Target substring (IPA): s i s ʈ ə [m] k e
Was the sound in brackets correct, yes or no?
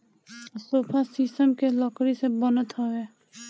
yes